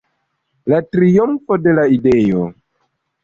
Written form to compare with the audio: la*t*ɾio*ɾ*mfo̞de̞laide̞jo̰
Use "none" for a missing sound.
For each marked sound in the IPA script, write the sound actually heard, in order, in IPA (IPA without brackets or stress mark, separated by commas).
t, none